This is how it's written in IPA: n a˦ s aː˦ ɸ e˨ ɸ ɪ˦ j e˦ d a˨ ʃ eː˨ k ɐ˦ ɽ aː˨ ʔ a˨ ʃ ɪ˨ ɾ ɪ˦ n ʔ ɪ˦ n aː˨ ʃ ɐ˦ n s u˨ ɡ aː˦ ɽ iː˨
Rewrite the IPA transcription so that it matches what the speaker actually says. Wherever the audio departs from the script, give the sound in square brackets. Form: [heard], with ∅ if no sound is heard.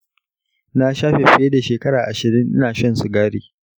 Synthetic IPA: n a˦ [ʃ] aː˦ ɸ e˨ ɸ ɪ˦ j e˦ d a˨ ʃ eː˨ k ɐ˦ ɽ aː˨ ʔ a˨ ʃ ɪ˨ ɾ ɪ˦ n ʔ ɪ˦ n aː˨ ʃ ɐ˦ n s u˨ ɡ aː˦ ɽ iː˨